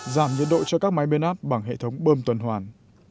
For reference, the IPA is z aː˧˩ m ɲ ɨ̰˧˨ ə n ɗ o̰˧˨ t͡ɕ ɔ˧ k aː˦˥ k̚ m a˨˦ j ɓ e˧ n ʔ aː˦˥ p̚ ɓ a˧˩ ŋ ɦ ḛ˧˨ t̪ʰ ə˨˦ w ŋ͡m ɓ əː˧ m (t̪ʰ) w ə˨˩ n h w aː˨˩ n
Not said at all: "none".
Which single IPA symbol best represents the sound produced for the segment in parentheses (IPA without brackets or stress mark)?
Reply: t̪